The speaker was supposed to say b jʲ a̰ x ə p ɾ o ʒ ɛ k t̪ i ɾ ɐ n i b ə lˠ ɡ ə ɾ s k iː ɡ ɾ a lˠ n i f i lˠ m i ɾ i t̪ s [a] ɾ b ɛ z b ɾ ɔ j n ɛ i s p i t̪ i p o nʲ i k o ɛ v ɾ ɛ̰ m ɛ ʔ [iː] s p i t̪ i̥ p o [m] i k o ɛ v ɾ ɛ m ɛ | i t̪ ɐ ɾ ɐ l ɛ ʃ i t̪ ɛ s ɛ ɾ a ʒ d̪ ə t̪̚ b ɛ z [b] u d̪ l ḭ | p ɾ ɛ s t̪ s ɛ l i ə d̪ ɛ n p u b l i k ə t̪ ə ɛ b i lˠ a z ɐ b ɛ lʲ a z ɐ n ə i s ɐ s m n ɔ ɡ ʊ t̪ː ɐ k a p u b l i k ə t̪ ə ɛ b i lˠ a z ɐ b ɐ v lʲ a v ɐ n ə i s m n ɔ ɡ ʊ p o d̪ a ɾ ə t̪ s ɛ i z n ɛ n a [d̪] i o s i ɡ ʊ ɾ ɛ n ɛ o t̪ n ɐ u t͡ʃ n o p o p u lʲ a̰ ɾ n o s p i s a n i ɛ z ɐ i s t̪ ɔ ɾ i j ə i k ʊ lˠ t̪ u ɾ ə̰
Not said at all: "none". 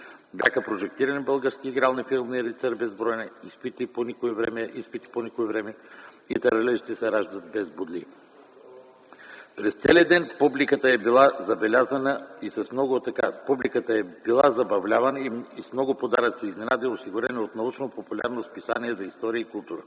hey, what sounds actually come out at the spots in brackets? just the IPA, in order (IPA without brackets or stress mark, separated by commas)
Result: ɛ, i, n, b, d̪